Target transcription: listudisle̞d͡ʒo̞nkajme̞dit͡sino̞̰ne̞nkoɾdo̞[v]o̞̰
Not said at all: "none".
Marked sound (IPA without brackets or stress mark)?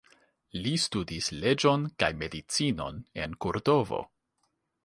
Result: v